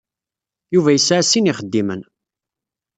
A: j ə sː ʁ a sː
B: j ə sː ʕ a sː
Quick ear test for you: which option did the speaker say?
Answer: B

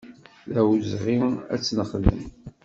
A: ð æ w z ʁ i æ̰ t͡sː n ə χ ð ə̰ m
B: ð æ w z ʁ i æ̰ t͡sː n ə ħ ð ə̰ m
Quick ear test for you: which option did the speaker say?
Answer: A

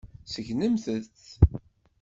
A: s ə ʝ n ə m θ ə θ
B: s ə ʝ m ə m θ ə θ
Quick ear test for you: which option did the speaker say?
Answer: A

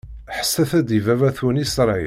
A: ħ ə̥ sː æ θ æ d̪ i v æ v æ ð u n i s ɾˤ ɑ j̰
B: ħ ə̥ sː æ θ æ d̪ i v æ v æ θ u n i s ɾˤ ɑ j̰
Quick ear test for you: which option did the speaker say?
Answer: B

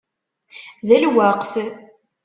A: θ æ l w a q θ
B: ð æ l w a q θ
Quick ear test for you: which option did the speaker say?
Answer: B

